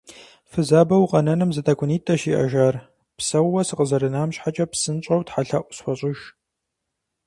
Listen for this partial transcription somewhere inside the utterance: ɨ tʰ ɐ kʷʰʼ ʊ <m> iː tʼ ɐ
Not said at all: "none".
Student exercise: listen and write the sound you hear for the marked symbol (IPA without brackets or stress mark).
n